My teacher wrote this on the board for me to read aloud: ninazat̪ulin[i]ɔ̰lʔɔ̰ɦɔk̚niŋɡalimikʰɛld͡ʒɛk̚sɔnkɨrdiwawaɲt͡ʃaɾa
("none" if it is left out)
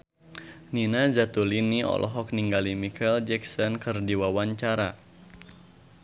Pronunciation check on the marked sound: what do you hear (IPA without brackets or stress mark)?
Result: i